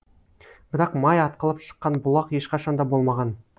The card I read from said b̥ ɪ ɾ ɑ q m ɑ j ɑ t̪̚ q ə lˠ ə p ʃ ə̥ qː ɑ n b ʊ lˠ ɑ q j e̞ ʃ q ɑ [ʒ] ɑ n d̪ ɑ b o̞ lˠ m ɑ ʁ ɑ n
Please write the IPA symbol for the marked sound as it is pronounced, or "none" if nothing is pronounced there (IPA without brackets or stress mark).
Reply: ʃ